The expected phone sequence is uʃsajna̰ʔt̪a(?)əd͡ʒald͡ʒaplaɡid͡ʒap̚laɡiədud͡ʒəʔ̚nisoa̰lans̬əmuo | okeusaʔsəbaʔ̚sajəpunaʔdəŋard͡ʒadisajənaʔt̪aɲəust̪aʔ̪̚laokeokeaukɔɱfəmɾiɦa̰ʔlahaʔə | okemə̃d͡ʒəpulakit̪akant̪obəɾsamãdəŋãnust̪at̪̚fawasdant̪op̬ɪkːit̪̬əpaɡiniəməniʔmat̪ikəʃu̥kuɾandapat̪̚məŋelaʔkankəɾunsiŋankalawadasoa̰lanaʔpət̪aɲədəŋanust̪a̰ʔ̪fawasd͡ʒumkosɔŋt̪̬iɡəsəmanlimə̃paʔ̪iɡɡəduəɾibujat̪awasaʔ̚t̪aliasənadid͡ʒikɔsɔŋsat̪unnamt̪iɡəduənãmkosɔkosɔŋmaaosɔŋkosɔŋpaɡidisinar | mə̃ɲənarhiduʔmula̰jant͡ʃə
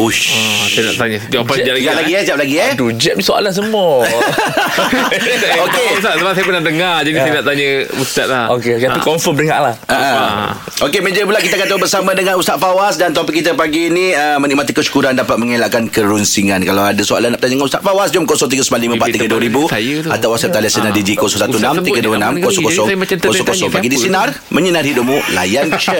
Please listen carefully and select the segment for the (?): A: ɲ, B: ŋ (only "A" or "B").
A